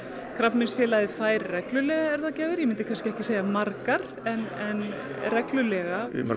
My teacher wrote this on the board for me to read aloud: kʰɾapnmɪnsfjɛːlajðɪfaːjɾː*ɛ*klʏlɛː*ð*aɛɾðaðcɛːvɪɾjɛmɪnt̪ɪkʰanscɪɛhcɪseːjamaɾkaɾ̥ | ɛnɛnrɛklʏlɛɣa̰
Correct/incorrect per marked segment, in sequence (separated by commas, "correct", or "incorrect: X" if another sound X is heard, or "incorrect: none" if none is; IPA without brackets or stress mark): correct, incorrect: ɣ